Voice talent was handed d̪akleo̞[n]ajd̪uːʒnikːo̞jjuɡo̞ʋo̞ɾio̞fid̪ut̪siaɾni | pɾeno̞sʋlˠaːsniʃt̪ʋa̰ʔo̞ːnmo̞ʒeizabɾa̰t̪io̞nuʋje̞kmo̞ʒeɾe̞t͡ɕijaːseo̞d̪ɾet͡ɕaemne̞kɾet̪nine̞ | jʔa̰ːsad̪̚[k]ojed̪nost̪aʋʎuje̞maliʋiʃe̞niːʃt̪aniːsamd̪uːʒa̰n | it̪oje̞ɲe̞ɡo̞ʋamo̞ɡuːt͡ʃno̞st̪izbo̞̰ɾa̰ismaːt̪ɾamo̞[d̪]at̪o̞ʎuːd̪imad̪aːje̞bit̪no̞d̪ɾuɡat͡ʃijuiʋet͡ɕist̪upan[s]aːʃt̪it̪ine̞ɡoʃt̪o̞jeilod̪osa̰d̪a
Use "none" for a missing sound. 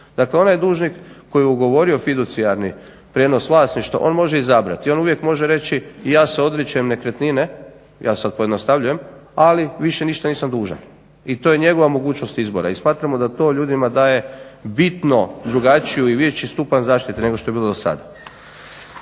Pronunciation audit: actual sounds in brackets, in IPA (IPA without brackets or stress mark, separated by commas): n, p, d̪, z